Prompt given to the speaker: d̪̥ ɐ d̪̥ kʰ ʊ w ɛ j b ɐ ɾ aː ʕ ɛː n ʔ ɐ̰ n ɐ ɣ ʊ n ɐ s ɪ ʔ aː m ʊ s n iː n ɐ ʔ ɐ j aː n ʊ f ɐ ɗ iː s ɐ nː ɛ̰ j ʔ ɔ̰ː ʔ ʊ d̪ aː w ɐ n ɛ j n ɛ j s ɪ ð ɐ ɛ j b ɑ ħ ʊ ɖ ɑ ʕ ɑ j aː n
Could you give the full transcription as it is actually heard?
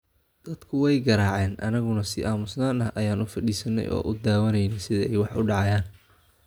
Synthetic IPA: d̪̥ ɐ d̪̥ kʰ ʊ w ɛ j ɡ ɐ ɾ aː ʕ ɛː n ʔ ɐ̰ n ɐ ɣ ʊ n ɐ s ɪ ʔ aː m ʊ s n aː n ɐ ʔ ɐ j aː n ʊ f ɐ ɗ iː s ɐ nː ɛ̰ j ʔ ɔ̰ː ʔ ʊ d̪ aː w ɐ n ɛ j n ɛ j s ɪ ð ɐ ɛ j w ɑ ħ ʊ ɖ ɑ ʕ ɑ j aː n